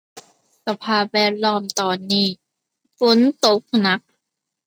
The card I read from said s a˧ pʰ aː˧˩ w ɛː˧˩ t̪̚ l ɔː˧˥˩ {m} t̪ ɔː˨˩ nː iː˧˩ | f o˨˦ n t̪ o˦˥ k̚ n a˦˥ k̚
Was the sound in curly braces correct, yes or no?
yes